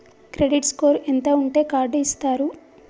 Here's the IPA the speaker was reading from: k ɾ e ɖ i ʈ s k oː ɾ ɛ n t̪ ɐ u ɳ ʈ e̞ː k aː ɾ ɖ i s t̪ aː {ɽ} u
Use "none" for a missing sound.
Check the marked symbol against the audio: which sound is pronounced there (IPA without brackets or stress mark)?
ɾ